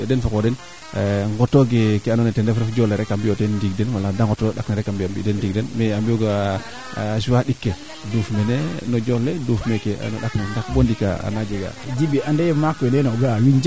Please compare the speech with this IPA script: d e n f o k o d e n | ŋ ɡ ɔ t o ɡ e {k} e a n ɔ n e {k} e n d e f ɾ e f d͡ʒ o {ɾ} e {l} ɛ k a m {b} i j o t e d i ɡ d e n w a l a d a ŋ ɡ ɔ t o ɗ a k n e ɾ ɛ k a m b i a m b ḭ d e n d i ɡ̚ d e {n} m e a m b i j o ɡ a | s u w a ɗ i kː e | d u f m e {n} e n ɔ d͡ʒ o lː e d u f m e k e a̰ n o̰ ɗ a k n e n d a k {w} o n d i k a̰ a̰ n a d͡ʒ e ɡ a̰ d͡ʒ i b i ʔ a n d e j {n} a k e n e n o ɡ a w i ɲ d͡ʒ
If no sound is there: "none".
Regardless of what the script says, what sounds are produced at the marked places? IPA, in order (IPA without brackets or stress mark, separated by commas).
k, t, l, ɾ, b, n, n, b, m